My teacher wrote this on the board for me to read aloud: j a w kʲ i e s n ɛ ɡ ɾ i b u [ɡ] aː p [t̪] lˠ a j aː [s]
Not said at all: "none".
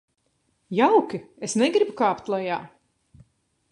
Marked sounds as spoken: k, t̪, none

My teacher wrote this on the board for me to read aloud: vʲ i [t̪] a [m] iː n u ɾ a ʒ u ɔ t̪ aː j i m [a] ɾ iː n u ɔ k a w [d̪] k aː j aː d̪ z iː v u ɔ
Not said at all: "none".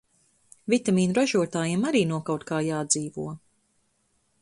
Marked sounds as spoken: t̪, m, a, t̪

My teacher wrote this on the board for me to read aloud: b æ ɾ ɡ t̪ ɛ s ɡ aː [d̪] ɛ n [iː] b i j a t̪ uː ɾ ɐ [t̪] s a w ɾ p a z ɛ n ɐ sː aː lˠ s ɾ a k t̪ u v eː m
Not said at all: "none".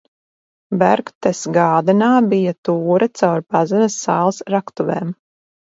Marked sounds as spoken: d̪, aː, t̪

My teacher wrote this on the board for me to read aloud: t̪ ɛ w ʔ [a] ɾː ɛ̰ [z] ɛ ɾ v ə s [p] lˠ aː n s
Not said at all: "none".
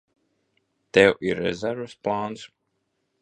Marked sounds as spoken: i, z, p

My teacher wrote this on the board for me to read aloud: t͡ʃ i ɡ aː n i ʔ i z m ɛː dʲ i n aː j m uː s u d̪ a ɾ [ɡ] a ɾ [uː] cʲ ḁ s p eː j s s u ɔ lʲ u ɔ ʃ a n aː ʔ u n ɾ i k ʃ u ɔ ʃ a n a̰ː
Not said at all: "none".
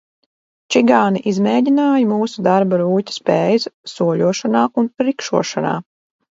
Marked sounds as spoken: b, uː

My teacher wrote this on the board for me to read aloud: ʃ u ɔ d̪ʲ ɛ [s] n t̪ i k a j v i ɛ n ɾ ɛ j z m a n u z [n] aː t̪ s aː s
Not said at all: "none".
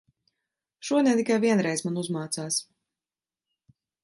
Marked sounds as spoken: none, m

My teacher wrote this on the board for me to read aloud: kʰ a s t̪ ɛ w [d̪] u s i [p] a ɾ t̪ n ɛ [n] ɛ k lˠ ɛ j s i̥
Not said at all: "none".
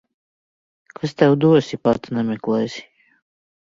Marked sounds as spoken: d̪, p, m

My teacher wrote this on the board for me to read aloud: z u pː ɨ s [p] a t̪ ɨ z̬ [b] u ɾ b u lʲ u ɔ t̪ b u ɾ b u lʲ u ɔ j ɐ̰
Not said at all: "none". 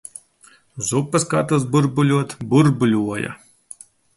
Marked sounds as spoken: k, b

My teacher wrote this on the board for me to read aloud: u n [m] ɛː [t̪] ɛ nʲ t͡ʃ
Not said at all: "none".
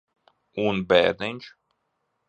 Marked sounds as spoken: b, d̪

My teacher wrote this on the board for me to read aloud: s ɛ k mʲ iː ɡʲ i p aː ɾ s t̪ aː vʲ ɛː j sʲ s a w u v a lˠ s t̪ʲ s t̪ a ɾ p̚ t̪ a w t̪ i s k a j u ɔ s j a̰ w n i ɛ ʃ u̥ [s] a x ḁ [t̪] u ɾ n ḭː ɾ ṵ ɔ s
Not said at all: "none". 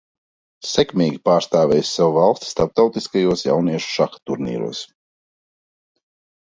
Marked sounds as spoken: ʃ, t̪

